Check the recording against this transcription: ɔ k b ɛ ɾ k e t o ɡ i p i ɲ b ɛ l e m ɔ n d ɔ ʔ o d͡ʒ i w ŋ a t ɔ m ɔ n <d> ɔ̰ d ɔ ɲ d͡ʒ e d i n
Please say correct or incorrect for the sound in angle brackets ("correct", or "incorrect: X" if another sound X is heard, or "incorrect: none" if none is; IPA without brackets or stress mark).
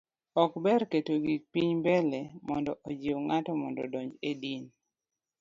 correct